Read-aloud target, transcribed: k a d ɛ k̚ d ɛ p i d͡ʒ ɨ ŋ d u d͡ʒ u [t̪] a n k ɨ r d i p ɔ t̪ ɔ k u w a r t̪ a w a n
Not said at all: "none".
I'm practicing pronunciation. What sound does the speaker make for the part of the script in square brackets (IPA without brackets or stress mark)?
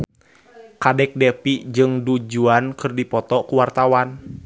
none